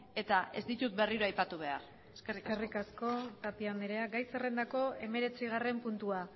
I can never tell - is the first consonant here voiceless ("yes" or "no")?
yes